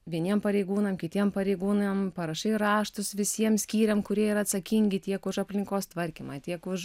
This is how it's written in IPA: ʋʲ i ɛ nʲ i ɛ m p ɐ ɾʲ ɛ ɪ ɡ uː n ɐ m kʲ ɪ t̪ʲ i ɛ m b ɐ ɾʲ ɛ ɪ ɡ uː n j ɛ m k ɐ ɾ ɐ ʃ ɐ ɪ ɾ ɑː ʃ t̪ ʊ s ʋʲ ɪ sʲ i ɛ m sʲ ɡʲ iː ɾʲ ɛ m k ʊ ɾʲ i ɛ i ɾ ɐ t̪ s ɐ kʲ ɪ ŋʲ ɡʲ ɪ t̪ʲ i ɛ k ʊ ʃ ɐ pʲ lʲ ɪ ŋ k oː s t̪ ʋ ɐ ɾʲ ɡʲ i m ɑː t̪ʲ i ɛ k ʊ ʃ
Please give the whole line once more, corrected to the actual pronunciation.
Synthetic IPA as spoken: ʋʲ i ɛ nʲ i ɛ m p ɐ ɾʲ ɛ ɪ ɡ uː n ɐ m kʲ ɪ t̪ʲ i ɛ m p ɐ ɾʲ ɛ ɪ ɡ uː n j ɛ m p ɐ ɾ ɐ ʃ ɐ ɪ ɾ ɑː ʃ t̪ ʊ s ʋʲ ɪ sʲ i ɛ m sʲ kʲ iː ɾʲ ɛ m k ʊ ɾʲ i ɛ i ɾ ɐ t̪ s ɐ kʲ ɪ ŋʲ ɡʲ ɪ t̪ʲ i ɛ k ʊ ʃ ɐ pʲ lʲ ɪ ŋ k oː s t̪ ʋ ɐ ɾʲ kʲ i m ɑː t̪ʲ i ɛ k ʊ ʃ

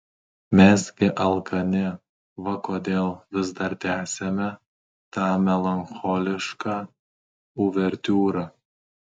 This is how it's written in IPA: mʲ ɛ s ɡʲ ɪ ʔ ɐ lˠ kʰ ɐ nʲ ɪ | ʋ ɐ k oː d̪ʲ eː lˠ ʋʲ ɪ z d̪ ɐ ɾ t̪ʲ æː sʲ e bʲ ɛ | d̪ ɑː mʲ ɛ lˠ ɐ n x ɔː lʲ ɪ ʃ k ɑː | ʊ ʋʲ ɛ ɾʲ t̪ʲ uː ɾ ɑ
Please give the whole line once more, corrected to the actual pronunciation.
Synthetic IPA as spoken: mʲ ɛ s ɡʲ ɪ ʔ ɐ lˠ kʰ ɐ nʲ ɪ | ʋ ɐ k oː d̪ʲ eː lˠ ʋʲ ɪ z d̪ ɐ ɾ t̪ʲ æː sʲ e mʲ ɛ | t̪ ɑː mʲ ɛ lˠ ɐ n x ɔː lʲ ɪ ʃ k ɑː | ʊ ʋʲ ɛ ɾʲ t̪ʲ uː ɾ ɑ

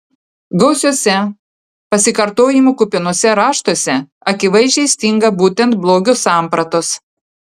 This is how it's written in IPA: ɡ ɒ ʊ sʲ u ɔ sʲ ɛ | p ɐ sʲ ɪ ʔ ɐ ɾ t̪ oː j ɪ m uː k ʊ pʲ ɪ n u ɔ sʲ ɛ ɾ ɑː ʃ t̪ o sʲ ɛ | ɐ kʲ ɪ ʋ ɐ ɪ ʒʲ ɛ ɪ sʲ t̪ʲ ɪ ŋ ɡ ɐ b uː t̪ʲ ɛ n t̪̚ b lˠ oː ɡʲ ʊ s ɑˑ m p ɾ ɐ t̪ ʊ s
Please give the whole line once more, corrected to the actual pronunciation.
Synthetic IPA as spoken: ɡ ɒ ʊ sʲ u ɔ sʲ ɛ | p ɐ sʲ ɪ k ɐ ɾ t̪ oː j ɪ m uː k ʊ pʲ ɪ n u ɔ sʲ ɛ ɾ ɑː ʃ t̪ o sʲ ɛ | ɐ kʲ ɪ ʋ ɐ ɪ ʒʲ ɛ ɪ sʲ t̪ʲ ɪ ŋ ɡ ɐ b uː t̪ʲ ɛ n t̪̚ b lˠ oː ɡʲ ʊ s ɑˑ m p ɾ ɐ t̪ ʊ s

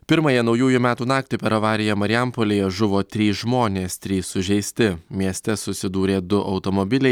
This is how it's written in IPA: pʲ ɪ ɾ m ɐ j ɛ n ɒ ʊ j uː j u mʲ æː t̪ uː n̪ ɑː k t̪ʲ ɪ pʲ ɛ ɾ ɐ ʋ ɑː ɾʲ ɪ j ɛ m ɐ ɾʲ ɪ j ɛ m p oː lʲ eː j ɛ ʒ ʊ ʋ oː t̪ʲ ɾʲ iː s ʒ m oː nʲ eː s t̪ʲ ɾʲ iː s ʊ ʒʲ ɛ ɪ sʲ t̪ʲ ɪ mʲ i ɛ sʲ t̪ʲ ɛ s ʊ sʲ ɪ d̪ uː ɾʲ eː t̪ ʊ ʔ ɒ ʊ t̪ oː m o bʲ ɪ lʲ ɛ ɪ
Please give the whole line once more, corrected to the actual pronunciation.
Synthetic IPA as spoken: pʲ ɪ ɾ m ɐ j ɛ n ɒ ʊ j uː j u mʲ æː t̪ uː n̪ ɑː k t̪ʲ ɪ pʲ ɛ ɾ ɐ ʋ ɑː ɾʲ ɪ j ɛ m ɐ ɾʲ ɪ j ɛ m p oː lʲ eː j ɛ ʒ ʊ ʋ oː t̪ʲ ɾʲ iː s ʒ m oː nʲ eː s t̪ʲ ɾʲ iː s ʊ ʒʲ ɛ ɪ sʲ t̪ʲ ɪ mʲ i ɛ sʲ t̪ʲ ɛ s ʊ sʲ ɪ d̪ uː ɾʲ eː d̪ ʊ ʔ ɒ ʊ t̪ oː m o bʲ ɪ lʲ ɛ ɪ

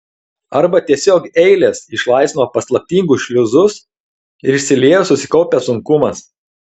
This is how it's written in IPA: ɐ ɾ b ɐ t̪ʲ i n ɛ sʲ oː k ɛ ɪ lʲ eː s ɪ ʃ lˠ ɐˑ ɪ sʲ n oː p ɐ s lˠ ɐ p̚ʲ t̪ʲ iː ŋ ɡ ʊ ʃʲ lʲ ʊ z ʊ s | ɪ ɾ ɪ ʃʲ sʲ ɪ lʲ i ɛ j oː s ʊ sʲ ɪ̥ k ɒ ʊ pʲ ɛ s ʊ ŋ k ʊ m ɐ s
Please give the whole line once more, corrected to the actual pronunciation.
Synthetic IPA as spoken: ɐ ɾ b ɐ t̪ʲ i ɛ sʲ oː k ɛ ɪ lʲ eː s ɪ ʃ lˠ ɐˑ ɪ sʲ n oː p ɐ s lˠ ɐ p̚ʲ t̪ʲ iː ŋ ɡ ʊ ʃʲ lʲ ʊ z ʊ s | ɪ ɾ ɪ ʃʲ sʲ ɪ lʲ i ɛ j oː s ʊ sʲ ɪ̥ k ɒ ʊ pʲ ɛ s ʊ ŋ k ʊ m ɐ s

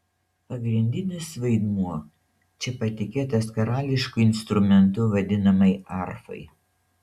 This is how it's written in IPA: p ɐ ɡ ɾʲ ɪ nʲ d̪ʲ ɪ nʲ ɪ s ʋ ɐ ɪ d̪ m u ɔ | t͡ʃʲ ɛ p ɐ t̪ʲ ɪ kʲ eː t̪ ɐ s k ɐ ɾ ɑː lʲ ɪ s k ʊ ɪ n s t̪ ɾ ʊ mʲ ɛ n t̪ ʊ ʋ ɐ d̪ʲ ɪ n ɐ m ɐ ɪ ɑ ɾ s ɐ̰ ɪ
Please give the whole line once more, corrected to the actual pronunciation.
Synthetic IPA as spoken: p ɐ ɡ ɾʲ ɪ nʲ d̪ʲ ɪ nʲ ɪ s ʋ ɐ ɪ d̪ m u ɔ | t͡ʃʲ ɛ p ɐ t̪ʲ ɪ kʲ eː t̪ ɐ s k ɐ ɾ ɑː lʲ ɪ ʃ k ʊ ɪ n s t̪ ɾ ʊ mʲ ɛ n t̪ ʊ ʋ ɐ d̪ʲ ɪ n ɐ m ɐ ɪ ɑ ɾ f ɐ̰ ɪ

